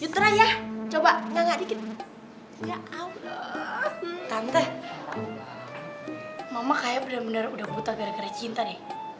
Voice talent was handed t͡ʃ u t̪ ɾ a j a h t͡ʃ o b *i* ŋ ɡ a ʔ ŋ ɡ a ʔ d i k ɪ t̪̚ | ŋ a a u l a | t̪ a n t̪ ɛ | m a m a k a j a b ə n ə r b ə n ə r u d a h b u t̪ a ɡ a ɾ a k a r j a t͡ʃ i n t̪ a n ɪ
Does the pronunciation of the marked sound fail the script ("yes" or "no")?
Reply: yes